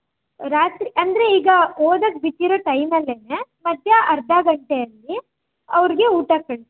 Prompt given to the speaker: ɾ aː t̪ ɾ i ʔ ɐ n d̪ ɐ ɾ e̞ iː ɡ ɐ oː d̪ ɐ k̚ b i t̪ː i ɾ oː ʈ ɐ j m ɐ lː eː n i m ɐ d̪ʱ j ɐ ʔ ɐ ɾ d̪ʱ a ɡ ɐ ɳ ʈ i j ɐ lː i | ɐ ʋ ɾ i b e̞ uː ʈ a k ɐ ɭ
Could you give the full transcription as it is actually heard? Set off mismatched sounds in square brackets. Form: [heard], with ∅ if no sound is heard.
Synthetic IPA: ɾ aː t̪ ɾ i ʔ ɐ n d̪ ɐ ɾ e̞ iː ɡ ɐ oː d̪ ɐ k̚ b i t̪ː i ɾ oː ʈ ɐ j m ɐ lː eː n [e] m ɐ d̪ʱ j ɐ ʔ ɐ ɾ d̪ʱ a ɡ ɐ ɳ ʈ [e] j ɐ lː i | ɐ ʋ ɾ i [ɡ] e̞ uː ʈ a k ɐ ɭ